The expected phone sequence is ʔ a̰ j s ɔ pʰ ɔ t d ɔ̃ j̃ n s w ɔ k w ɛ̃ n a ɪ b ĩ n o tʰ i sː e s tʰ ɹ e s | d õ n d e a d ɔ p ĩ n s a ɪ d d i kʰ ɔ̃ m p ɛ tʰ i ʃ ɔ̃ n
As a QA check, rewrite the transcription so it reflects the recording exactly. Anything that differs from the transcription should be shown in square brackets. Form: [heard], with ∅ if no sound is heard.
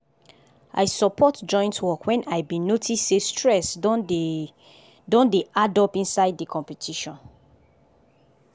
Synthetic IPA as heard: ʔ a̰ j s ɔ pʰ ɔ t [d͡ʒ] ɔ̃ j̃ n [t] w ɔ k w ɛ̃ n a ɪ b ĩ n o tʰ i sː e s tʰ ɹ [ɛ] s | d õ n d e a d ɔ p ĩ n s a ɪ d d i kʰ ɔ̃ m p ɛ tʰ i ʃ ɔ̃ n

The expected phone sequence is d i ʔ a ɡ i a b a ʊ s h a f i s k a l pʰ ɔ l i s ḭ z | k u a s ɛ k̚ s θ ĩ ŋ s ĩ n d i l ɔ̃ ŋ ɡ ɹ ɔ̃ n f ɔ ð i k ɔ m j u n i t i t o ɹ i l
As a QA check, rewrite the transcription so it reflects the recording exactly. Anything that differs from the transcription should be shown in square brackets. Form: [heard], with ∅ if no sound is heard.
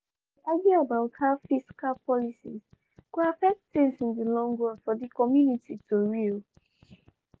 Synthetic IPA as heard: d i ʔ a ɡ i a b a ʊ [t] h a f i s k a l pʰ ɔ l i s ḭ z | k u a [f] ɛ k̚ [t] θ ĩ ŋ s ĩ n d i l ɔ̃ ŋ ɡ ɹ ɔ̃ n f ɔ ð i k ɔ m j u n i t i t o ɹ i l

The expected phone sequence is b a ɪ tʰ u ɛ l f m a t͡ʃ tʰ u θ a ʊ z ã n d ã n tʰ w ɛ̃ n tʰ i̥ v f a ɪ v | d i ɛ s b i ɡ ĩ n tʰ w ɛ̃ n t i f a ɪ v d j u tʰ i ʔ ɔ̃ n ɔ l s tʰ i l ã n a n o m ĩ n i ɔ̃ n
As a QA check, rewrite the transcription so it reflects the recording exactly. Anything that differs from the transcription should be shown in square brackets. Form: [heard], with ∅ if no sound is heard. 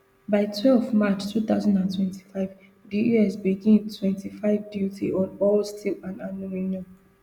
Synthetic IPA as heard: b a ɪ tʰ [w] ɛ l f m a t͡ʃ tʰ u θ a ʊ z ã n d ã n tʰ w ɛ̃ n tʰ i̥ [∅] f a ɪ v | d i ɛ s b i ɡ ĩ n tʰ w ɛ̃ n t i f a ɪ v d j u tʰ i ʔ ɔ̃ n ɔ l s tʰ i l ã n a n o m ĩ n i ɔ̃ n

